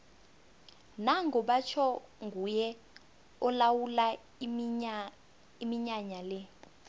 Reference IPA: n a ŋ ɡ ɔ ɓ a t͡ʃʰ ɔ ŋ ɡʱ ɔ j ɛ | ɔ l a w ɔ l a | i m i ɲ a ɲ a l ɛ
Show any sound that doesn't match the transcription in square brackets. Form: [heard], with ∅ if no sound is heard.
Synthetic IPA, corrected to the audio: n a ŋ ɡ ɔ ɓ a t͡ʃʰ ɔ ŋ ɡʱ [u] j ɛ | ɔ l a w [u] l a | i m i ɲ a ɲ a l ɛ